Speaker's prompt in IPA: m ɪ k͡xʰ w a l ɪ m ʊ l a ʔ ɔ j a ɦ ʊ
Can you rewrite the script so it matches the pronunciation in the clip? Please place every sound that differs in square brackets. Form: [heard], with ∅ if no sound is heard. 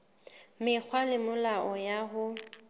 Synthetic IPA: m ɪ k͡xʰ w a l ɪ m ʊ l a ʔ ɔ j a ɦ ʊ